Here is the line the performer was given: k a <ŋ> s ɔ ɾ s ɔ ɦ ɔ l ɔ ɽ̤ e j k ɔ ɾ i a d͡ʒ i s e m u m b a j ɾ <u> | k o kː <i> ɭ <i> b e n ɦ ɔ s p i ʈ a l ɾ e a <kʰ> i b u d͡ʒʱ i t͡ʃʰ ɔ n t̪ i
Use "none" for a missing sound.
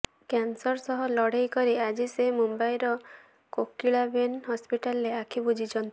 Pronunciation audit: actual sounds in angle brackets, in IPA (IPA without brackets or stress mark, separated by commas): n, ɔ, i, a, kʰ